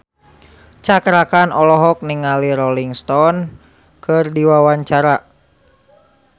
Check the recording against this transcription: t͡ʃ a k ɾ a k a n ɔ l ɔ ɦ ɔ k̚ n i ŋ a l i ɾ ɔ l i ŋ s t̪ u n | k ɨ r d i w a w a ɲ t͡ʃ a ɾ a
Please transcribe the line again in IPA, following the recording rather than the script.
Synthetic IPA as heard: t͡ʃ a k ɾ a k a n ɔ l ɔ ɦ ɔ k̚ n i ŋ a l i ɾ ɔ l i ŋ s t̪ ɔ n | k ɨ r d i w a w a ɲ t͡ʃ a ɾ a